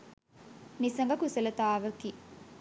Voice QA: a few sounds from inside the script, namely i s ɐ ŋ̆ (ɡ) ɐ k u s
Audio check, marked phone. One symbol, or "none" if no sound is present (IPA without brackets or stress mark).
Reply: ɡ